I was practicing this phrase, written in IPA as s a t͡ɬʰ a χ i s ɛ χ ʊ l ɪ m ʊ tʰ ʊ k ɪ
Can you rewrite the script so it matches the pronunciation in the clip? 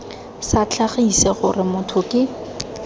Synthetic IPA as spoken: s a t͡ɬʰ a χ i s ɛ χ ʊ r ɪ m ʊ tʰ ʊ k ɪ